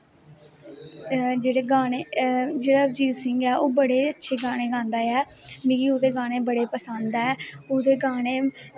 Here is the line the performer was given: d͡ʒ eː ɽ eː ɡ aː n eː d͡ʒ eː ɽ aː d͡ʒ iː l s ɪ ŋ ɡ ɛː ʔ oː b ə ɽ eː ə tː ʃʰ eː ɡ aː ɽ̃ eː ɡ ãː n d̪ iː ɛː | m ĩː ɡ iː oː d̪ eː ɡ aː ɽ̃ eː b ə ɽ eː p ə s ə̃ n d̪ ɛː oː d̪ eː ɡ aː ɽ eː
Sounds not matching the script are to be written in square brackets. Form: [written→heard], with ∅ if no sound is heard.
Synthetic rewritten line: d͡ʒ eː ɽ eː ɡ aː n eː d͡ʒ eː ɽ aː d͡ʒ iː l s ɪ ŋ ɡ ɛː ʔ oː b ə ɽ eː ə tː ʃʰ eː ɡ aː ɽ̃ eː ɡ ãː n d̪ [iː→aː] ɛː | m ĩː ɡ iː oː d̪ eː ɡ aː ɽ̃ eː b ə ɽ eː p ə s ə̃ n d̪ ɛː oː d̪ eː ɡ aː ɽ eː